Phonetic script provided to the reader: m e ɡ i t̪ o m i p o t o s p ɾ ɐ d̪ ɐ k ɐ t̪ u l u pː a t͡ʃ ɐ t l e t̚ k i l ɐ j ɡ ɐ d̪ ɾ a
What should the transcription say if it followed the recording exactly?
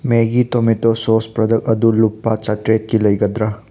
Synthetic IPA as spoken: m e ɡ i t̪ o m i t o s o s p ɾ ɐ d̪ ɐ k ɐ d̪ u l u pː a t͡ʃ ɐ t ɾ e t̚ k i l ɐ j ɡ ɐ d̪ ɾ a